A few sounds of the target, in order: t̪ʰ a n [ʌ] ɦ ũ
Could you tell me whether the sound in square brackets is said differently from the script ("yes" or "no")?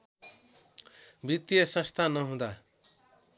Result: no